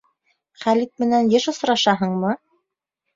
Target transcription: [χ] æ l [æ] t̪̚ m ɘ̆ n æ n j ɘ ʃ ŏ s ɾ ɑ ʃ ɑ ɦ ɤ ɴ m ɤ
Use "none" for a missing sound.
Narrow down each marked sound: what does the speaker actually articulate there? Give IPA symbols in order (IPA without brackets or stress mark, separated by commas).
χ, i